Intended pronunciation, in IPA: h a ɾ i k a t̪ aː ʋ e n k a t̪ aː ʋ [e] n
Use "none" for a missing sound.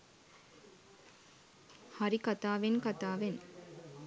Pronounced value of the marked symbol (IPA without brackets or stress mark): e